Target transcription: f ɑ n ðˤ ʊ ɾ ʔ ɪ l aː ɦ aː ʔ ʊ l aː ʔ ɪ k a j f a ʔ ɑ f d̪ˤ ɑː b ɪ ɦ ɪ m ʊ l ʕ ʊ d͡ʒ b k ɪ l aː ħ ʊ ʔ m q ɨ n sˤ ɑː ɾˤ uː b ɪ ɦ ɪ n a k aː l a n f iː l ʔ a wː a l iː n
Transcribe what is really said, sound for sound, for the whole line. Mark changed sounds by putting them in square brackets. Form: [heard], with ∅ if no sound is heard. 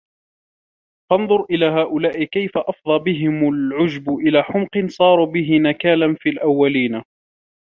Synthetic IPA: f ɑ n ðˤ ʊ ɾ ʔ ɪ l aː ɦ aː ʔ ʊ l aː ʔ ɪ k a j f a ʔ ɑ f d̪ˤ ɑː b ɪ ɦ ɪ m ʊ l ʕ ʊ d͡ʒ b [ʔ] ɪ l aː ħ ʊ [∅] m q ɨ n sˤ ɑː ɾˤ uː b ɪ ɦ ɪ n a k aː l a n f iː l ʔ a wː a l iː n